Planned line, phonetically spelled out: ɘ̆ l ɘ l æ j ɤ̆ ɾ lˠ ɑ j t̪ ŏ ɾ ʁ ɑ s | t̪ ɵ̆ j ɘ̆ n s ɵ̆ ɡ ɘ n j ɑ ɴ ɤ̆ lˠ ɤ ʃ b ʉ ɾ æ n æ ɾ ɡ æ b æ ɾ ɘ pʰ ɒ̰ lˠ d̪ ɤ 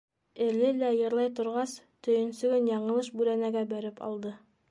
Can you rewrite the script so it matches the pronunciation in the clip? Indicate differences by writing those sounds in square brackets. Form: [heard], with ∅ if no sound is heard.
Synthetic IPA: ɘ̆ l ɘ l æ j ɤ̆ ɾ lˠ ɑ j t̪ ŏ ɾ ʁ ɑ s | t̪ ɵ̆ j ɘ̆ n s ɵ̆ ɡ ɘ n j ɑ ɴ ɤ̆ lˠ ɤ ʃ b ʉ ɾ æ n æ [∅] ɡ æ b æ ɾ ɘ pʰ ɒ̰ lˠ d̪ ɤ